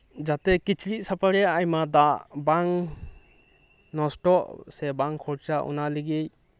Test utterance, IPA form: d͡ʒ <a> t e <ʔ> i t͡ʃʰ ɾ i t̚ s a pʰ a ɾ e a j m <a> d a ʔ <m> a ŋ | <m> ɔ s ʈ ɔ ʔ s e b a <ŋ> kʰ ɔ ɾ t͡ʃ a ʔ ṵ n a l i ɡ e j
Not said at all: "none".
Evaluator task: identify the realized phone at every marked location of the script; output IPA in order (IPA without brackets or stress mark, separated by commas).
a, k, a, b, n, ŋ